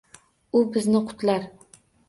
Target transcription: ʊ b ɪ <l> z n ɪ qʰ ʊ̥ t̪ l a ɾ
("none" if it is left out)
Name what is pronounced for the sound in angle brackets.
none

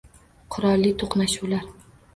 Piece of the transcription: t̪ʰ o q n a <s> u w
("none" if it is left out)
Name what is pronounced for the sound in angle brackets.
ʃ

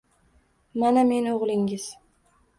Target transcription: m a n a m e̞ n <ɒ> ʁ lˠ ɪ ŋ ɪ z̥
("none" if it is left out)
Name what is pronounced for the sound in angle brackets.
o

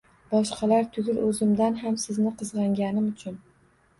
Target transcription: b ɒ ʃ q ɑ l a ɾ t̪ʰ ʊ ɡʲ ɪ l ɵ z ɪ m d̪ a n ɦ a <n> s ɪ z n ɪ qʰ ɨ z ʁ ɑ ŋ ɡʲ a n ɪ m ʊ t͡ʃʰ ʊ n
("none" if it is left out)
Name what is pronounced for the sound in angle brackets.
m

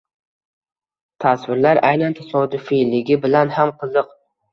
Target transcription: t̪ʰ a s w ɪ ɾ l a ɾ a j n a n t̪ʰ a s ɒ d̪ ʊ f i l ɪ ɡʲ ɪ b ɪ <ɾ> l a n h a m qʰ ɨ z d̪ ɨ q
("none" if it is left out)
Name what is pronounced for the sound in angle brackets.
none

